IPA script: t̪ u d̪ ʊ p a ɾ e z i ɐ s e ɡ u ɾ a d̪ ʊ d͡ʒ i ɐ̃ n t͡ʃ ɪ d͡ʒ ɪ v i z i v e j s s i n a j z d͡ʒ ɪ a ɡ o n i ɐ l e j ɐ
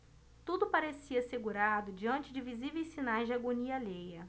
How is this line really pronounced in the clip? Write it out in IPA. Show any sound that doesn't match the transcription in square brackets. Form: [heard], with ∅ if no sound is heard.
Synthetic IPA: t̪ u d̪ ʊ p a ɾ e [s] i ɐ s e ɡ u ɾ a d̪ ʊ d͡ʒ i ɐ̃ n t͡ʃ ɪ d͡ʒ ɪ v i z i v e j s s i n a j z d͡ʒ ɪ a ɡ o n i ɐ l e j ɐ